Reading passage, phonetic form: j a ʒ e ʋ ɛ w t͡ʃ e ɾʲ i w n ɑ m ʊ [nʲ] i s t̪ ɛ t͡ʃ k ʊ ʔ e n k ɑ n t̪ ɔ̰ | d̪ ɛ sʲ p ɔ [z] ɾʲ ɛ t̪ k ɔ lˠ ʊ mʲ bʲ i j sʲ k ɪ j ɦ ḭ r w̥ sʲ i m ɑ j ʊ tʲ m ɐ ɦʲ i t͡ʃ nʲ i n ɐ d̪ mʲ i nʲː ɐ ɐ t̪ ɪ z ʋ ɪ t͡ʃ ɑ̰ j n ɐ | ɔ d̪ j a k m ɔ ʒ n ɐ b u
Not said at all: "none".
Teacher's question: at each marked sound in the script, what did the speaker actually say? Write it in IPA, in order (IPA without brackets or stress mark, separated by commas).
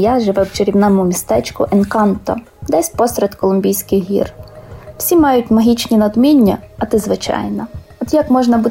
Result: mʲ, s